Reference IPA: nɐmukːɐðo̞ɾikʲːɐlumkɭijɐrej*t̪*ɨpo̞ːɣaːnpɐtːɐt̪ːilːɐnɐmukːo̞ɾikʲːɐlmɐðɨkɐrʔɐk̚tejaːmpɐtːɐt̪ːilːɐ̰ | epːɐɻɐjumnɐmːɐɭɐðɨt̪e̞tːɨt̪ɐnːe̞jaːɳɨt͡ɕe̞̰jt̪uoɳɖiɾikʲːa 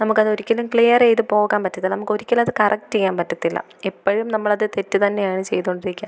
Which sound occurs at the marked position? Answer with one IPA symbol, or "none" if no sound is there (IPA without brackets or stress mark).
t̪